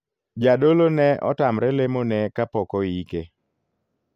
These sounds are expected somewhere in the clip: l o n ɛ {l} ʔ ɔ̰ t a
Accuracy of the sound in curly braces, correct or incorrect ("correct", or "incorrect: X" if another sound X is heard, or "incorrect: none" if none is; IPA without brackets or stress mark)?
incorrect: none